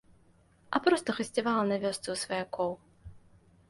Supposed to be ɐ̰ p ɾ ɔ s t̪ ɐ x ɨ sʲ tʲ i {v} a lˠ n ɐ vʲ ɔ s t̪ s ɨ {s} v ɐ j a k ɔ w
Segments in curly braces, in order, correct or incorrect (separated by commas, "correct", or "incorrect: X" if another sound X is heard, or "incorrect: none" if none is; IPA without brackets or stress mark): correct, correct